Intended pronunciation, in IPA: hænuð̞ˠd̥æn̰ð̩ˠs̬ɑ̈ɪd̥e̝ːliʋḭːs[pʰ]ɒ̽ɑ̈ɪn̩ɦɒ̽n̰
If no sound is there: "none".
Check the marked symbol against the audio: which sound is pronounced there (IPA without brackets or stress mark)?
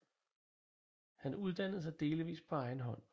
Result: pʰ